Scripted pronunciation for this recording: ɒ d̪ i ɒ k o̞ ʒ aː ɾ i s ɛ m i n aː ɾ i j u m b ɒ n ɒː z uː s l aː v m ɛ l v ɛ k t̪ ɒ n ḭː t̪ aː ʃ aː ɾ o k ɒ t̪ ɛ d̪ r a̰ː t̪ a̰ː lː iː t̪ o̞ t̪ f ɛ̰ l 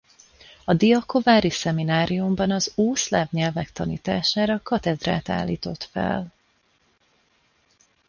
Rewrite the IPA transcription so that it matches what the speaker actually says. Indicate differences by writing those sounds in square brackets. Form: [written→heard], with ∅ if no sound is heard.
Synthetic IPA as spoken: ɒ d̪ i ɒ k o̞ [ʒ→v] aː ɾ i s ɛ m i n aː ɾ i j u m b ɒ n [ɒː→ɒ] z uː s l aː v [m→ɲ] ɛ l v ɛ k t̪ ɒ n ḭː t̪ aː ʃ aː ɾ [o→ɒ] k ɒ t̪ ɛ d̪ r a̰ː t̪ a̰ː lː iː t̪ o̞ t̪ f ɛ̰ l